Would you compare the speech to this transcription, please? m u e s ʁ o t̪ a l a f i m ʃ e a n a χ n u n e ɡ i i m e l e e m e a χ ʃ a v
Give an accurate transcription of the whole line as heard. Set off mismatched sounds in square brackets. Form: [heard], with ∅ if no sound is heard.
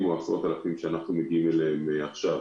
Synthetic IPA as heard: m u [a] s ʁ o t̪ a l a f i m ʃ e a n a χ n u [m] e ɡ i i m e l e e m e a χ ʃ a v